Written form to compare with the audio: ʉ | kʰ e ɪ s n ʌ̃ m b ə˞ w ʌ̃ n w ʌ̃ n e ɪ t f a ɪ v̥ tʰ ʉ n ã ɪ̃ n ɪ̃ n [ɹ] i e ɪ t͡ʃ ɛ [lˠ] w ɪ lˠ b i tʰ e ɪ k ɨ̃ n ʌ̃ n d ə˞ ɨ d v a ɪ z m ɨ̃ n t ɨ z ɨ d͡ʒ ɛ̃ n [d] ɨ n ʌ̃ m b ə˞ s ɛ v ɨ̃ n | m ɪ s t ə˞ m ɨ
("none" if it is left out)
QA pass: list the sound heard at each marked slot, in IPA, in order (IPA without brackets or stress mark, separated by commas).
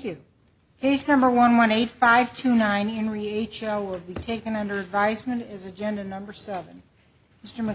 ɹ, lˠ, d